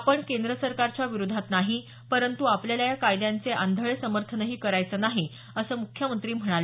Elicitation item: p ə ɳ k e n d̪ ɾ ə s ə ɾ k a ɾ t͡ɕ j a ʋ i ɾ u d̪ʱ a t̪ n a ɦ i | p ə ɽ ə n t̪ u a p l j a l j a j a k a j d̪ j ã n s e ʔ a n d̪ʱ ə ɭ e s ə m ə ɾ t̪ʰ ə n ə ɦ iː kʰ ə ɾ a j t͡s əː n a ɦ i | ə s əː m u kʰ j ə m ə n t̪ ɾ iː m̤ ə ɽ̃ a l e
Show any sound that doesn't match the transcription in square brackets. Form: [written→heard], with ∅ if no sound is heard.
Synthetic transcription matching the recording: p ə ɳ k e n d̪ ɾ ə s ə ɾ k a ɾ t͡ɕ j a ʋ i ɾ u d̪ʱ a t̪ n a ɦ i | p ə [ɽ→ɾ] ə n t̪ u a p l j a l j a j a k a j d̪ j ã n [s→t͡s] e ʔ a n d̪ʱ ə ɭ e s ə m ə ɾ t̪ʰ ə n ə ɦ iː [kʰ→k] ə ɾ a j t͡s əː n a ɦ i | ə s əː m u kʰ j ə m ə n t̪ ɾ iː m̤ ə ɽ̃ a l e